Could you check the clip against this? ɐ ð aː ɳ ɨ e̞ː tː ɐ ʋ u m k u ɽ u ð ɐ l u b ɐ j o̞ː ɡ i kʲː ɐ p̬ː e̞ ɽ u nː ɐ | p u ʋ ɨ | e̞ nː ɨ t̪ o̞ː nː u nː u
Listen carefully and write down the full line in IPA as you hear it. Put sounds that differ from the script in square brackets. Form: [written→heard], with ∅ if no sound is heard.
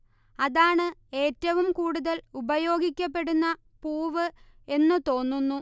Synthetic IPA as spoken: ɐ ð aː ɳ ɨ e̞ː tː ɐ ʋ u m k [u→uː] ɽ u ð ɐ l u b ɐ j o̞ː ɡ i kʲː ɐ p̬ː e̞ ɽ u nː ɐ | p [u→uː] ʋ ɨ | e̞ nː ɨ t̪ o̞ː nː u nː u